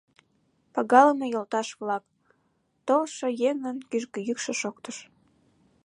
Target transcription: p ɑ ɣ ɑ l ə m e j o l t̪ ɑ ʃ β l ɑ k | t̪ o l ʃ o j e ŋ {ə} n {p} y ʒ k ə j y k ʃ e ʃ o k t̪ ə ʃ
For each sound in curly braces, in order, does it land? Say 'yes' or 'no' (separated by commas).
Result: yes, no